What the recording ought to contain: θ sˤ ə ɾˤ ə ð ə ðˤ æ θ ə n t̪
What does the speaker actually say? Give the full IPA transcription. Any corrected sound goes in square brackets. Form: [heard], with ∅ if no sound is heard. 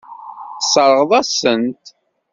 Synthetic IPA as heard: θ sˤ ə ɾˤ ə [ʁ] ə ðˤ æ [s] ə n t̪